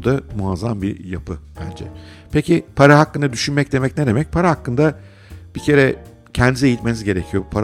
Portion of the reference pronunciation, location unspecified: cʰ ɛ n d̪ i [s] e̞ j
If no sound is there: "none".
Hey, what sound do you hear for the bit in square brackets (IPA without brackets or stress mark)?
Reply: z